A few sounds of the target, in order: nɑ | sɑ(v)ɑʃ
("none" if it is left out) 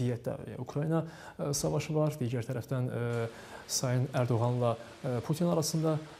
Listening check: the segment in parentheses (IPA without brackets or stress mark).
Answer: v